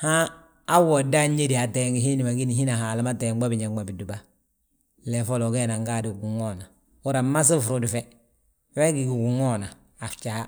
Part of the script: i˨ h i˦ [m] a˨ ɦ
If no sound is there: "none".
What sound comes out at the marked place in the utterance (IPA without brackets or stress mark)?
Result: n